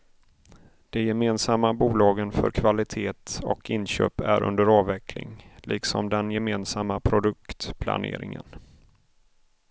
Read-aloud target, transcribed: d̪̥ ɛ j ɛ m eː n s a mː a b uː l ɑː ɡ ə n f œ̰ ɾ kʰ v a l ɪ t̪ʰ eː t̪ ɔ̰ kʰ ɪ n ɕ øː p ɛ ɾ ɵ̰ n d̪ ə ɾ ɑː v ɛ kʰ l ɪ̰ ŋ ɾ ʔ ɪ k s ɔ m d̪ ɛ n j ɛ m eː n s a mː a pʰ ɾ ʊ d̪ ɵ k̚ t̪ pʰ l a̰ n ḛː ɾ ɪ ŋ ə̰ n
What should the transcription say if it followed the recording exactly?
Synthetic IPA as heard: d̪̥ ɛ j ɛ m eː n s a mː a b uː l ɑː ɡ ə n f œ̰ ɾ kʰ v a l ɪ t̪ʰ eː t̪ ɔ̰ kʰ ɪ n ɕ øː p æ ɾ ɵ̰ n d̪ ə ɾ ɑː v ɛ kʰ l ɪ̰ ŋ l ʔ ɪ k s ɔ m d̪ ɛ n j ɛ m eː n s a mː a pʰ ɾ ʊ d̪ ɵ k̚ t̪ pʰ l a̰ n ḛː ɾ ɪ ŋ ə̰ n

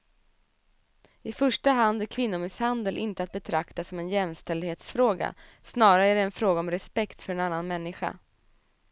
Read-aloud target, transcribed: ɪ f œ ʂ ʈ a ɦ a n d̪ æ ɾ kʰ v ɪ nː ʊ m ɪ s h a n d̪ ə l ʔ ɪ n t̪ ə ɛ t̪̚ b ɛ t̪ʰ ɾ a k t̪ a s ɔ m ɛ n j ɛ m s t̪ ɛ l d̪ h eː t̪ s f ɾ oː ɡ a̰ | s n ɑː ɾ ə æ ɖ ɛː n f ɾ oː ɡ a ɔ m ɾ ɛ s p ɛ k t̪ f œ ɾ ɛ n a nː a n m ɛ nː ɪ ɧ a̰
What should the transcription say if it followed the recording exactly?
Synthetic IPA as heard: ɪ f œ ʂ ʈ a ɦ a n d̪ æ ɾ kʰ v ɪ nː ʊ m ɪ s h a n d̪ ə l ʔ ɪ n t̪ ə a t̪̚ b ɛ t̪ʰ ɾ a k t̪ a s ɔ m ɛ n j ɛ m s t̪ ɛ l d̪ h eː t̪ s f ɾ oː ɡ a̰ | s n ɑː ɾ a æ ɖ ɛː n f ɾ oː ɡ a ɔ m ɾ ɛ s p ɛ k t̪ f œ ɾ ɛ n a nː a n m ɛ nː ɪ ɧ a̰

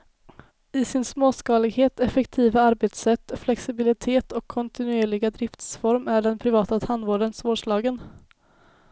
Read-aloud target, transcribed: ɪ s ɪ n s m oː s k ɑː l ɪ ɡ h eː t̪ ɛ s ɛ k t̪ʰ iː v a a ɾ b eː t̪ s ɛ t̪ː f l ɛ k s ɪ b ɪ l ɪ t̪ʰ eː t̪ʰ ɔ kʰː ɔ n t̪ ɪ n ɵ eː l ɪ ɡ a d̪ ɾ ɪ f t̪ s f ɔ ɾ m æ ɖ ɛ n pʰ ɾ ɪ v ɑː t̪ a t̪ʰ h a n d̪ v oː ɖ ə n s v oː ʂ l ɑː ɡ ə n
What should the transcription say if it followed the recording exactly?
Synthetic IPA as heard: ɪ s ɪ n s m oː s k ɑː l ɪ ɡ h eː t̪ ɛ f ɛ k t̪ʰ iː v a a ɾ b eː t̪ s ɛ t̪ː f l ɛ k s ɪ b ɪ l ɪ t̪ʰ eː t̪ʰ ɔ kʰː ɔ n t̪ ɪ n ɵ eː ɭ ɪ ɡ a d̪ ɾ ɪ f t̪ s f ɔ ɾ m æ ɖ ɛ n pʰ ɾ ɪ v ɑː t̪ a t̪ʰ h a n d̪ v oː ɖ ə n s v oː ʂ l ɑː ɡ ə n

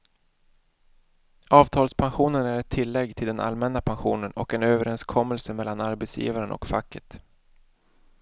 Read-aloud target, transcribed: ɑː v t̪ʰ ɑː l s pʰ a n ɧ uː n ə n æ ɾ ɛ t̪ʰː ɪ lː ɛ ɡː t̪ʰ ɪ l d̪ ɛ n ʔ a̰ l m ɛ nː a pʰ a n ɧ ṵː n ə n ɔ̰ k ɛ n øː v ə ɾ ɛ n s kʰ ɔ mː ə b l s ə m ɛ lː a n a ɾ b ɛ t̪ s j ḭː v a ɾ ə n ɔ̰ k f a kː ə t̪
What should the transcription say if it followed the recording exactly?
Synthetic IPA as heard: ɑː v t̪ʰ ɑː l s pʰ a n ɧ uː n ə n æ ɾ ɛ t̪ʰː ɪ lː ɛ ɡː t̪ʰ ɪ l d̪ ɛ n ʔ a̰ l m ɛ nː a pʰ a n ɧ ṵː n ə n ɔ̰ k ɛ n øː v ə ɾ ɛ n s kʰ ɔ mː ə l s ə m ɛ lː a n a ɾ b ɛ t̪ s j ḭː v a ɾ ə n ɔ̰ k f a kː ə t̪

